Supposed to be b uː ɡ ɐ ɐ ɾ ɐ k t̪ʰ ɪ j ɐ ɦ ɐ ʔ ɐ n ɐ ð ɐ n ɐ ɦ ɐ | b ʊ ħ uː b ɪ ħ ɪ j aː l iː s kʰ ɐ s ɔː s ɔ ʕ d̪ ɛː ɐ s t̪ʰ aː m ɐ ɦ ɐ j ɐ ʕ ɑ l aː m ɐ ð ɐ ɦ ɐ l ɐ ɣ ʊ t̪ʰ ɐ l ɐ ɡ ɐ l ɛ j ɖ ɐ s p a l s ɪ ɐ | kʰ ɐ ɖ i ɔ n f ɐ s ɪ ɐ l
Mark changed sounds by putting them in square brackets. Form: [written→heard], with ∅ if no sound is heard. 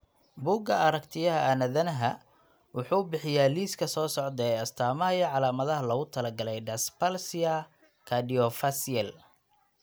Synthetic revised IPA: b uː ɡ ɐ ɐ ɾ ɐ k t̪ʰ ɪ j ɐ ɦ ɐ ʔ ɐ n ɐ ð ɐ n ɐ ɦ ɐ | [b→w] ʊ ħ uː b ɪ ħ ɪ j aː l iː s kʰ ɐ s ɔː s ɔ ʕ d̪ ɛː ɐ s t̪ʰ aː m ɐ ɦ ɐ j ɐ ʕ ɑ l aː m ɐ ð ɐ ɦ ɐ l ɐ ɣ ʊ t̪ʰ ɐ l ɐ ɡ ɐ l ɛ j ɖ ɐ s p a l s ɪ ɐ | kʰ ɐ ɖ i ɔ [n→∅] f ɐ s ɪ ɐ l

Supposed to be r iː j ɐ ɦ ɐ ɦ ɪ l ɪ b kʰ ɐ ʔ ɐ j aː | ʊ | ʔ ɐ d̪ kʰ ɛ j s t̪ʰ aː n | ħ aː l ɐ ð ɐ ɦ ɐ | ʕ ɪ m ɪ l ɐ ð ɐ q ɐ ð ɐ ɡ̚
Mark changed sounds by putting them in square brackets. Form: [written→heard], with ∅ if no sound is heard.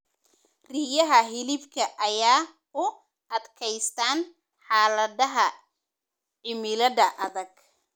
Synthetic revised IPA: r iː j ɐ ɦ ɐ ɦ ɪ l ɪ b kʰ ɐ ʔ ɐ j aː | ʊ | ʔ ɐ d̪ kʰ ɛ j s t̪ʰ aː n | ħ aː l ɐ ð ɐ ɦ ɐ | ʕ ɪ m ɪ l ɐ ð ɐ [q→ʔ] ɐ ð ɐ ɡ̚

